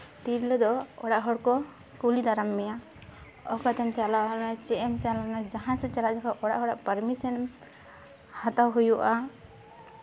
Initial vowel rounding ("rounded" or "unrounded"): unrounded